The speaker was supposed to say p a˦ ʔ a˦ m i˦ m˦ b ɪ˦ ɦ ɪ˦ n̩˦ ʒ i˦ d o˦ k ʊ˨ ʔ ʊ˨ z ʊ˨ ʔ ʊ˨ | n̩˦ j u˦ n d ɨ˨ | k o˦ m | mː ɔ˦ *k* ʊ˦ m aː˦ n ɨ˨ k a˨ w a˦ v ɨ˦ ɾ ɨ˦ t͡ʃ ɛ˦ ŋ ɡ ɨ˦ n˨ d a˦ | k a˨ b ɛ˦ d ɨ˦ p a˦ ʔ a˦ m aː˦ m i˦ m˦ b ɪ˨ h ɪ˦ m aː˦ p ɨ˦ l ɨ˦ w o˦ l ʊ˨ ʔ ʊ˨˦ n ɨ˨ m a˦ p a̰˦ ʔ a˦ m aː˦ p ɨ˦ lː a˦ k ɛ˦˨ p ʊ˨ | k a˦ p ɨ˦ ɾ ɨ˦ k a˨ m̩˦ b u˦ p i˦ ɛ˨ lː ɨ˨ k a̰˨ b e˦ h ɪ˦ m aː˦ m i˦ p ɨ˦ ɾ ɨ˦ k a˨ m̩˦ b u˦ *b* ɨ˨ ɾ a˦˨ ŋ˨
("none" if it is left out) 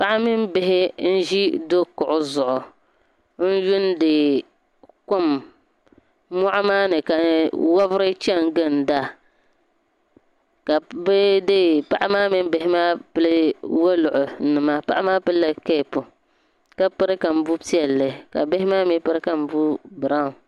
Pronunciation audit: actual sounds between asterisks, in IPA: ʔ, b

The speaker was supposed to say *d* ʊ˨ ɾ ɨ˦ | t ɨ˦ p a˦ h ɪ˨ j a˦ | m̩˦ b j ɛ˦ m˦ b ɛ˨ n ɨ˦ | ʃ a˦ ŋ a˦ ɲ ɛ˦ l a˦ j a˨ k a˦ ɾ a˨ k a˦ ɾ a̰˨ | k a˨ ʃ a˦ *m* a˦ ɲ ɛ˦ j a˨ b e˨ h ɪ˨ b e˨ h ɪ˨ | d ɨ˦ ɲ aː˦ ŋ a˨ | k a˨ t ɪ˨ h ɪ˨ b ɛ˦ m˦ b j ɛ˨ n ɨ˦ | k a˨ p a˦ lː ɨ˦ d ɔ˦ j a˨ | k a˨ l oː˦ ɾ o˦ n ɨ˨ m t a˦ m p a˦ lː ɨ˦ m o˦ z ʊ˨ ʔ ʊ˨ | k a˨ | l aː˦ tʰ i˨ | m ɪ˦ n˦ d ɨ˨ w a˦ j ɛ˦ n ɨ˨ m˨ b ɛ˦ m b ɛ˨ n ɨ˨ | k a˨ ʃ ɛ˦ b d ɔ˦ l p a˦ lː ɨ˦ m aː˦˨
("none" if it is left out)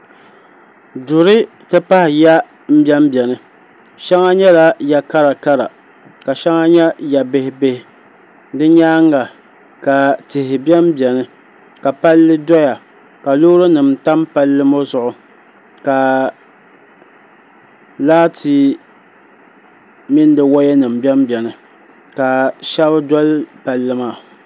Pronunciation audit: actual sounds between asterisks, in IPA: d, ŋ

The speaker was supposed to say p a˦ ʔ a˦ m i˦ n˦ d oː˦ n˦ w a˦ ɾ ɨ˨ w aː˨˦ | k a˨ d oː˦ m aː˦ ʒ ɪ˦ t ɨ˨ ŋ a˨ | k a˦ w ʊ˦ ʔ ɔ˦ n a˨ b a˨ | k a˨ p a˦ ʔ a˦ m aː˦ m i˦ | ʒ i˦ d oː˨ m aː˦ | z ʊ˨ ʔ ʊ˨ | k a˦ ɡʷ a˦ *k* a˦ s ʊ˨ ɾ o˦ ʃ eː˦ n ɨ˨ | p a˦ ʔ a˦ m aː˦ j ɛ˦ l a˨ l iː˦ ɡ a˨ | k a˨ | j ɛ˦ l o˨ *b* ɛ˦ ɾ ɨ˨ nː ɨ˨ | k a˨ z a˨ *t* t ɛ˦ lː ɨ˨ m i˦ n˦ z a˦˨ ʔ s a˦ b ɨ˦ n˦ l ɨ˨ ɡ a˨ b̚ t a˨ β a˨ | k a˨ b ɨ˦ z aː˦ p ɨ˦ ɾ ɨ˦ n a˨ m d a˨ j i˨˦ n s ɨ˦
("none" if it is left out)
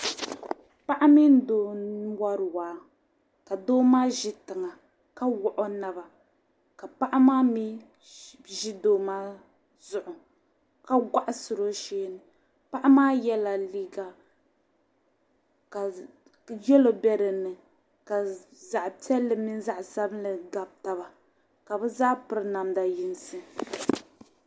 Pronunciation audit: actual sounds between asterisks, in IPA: ʔ, b, ʔ

